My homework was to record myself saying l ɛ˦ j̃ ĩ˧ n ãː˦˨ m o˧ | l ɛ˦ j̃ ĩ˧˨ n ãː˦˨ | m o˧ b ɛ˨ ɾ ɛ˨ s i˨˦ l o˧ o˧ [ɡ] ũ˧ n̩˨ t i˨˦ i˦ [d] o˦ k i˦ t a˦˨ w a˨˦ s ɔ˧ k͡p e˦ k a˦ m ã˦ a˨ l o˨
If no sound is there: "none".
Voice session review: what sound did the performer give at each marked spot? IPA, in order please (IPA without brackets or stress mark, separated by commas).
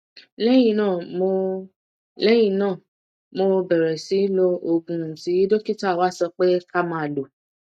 ɡ, d